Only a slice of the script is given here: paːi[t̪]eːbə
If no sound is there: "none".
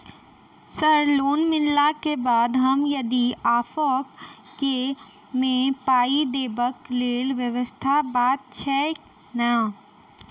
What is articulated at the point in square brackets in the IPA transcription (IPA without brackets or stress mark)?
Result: d̪